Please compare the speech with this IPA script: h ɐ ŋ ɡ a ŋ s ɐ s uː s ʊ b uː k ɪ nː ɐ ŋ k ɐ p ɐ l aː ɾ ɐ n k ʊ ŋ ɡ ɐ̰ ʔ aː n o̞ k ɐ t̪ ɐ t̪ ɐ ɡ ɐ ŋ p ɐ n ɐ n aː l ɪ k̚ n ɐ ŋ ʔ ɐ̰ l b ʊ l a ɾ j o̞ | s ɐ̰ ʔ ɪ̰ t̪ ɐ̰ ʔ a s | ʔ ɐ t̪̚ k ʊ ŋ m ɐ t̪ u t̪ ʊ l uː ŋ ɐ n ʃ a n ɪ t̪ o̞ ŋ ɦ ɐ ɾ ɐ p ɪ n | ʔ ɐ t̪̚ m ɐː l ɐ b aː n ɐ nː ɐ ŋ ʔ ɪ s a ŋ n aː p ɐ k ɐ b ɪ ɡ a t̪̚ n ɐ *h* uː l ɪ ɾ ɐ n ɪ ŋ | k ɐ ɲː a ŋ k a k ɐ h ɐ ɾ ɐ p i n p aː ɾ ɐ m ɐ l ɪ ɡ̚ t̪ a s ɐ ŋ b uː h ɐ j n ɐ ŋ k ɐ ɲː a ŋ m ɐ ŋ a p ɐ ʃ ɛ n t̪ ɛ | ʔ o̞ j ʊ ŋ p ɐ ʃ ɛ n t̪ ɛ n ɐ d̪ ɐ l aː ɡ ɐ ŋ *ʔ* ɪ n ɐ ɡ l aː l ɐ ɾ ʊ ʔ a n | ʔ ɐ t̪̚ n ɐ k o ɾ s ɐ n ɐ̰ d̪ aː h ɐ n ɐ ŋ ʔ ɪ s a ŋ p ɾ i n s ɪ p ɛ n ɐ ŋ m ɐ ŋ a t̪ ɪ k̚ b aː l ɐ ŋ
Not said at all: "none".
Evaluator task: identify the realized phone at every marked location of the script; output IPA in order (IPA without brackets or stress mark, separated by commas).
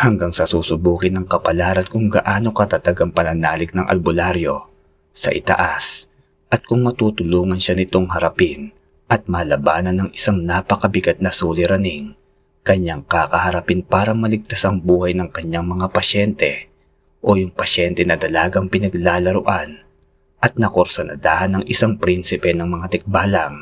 s, p